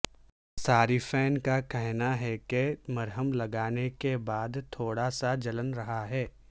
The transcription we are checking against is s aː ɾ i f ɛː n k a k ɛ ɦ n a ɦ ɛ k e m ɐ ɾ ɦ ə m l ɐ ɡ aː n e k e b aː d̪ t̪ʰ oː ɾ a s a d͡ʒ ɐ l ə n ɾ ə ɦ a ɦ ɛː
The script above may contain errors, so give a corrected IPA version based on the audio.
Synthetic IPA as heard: s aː ɾ i f ɛː n k a k ɛ ɦ n a ɦ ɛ k e m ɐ ɾ ɦ ə m l ɐ ɡ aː n e k e b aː d̪ t̪ʰ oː ɽ a s a d͡ʒ ɐ l ə n ɾ ɐ ɦ a ɦ ɛː